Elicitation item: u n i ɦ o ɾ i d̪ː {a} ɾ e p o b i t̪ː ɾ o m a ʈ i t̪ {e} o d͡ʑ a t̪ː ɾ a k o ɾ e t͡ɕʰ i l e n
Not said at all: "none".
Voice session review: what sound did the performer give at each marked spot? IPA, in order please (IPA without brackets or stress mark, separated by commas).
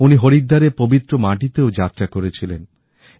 a, e